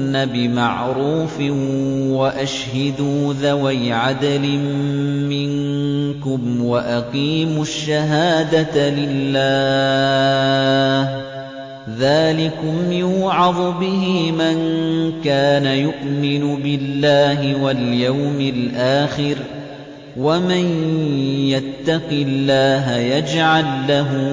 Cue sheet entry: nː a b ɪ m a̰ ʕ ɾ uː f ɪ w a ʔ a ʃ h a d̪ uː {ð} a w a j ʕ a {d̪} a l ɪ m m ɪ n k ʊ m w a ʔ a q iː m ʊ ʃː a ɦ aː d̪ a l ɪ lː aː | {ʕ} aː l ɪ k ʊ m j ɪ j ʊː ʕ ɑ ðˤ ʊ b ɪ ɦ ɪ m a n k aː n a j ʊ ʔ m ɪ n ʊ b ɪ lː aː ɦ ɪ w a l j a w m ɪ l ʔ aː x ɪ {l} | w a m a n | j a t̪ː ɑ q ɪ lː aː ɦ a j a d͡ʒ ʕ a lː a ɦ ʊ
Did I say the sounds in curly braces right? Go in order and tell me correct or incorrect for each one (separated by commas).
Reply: correct, correct, incorrect, incorrect